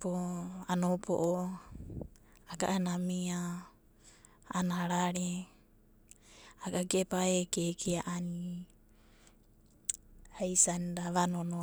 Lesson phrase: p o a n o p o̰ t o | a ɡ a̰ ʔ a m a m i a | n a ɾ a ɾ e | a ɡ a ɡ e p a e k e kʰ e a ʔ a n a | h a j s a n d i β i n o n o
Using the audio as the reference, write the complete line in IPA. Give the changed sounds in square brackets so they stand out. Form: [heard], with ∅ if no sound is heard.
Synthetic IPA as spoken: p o a n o p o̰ [ʔ] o | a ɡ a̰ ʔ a [n] a m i a | n a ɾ a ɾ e | a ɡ a ɡ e p a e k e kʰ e a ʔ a n [i] | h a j s a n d [a] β [a] n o n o